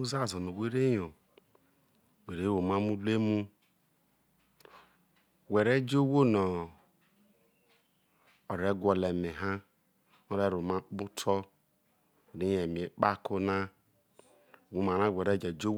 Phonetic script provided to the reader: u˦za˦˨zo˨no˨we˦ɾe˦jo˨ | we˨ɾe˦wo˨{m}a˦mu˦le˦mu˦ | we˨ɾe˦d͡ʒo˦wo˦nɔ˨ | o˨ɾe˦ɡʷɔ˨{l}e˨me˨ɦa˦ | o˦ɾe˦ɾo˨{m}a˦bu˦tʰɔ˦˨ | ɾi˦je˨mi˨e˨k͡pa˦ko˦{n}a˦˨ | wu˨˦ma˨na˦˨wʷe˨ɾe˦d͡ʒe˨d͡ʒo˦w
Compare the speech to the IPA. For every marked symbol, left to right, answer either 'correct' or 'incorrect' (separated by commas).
correct, correct, correct, correct